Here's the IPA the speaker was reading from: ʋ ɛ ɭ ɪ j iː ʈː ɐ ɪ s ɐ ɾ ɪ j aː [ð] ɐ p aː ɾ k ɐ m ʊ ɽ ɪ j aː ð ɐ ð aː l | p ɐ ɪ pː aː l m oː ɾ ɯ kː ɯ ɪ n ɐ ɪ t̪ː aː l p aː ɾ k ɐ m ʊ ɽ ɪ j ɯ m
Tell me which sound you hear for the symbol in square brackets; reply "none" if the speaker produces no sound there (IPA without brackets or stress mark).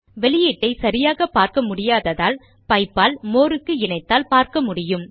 ɣ